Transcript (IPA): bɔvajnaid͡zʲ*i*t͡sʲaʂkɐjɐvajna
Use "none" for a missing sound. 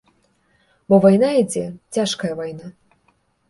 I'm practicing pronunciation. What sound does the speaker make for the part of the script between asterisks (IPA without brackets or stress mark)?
ɛ